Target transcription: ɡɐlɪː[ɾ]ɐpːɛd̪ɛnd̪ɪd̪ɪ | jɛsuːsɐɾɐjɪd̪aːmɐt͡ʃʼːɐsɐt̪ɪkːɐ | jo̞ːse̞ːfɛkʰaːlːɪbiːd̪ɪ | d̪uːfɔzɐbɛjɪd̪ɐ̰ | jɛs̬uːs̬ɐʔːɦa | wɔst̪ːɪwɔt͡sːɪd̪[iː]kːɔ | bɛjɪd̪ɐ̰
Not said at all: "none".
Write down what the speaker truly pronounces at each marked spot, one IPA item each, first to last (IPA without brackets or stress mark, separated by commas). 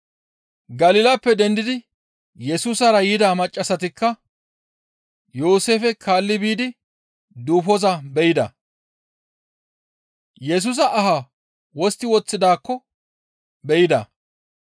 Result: l, aː